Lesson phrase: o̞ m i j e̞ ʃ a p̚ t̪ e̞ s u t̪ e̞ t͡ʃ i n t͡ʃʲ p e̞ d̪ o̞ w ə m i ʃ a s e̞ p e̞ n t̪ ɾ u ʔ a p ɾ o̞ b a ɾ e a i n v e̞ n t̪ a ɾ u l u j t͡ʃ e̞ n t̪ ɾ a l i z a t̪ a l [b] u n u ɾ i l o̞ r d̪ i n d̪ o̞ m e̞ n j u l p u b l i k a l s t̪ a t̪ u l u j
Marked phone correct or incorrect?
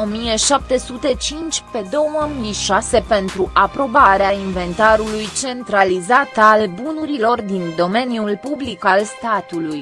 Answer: correct